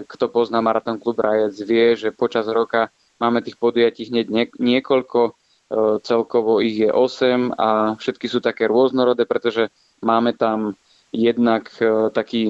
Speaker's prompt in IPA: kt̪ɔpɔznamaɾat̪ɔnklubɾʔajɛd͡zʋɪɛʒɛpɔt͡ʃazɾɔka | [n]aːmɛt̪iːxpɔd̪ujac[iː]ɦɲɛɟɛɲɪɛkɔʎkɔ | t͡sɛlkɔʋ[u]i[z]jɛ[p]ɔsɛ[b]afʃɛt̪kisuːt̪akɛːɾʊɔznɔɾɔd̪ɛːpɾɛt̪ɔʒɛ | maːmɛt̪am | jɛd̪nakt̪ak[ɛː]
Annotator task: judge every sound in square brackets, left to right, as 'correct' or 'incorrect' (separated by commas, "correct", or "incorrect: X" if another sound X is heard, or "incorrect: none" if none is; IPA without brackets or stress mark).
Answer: incorrect: m, correct, incorrect: ɔ, incorrect: ɣ, incorrect: ʔ, incorrect: m, incorrect: iː